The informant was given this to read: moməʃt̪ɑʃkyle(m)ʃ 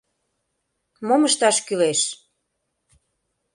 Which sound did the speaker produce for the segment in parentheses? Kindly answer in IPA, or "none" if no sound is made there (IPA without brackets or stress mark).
none